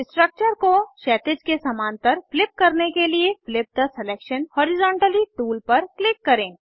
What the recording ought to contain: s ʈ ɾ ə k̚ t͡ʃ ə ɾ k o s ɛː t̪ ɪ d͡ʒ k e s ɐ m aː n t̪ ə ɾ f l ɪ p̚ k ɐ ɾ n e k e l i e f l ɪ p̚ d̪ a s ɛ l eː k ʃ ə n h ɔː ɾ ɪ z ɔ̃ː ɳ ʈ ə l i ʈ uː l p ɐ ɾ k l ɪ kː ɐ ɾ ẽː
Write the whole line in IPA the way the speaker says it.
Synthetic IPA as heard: s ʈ ɾ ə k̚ t͡ʃ ə ɾ k o ʃ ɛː t̪ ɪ d͡ʒ k e s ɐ m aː n t̪ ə ɾ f l ɪ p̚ k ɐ ɾ n e k e l i e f l ɪ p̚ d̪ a s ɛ l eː k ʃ ə n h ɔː ɾ ɪ z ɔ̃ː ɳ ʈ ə l i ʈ uː l p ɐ ɾ k l ɪ kː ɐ ɾ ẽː